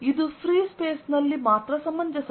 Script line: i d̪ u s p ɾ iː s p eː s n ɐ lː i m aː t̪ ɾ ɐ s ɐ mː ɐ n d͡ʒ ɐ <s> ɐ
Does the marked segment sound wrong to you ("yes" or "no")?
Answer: no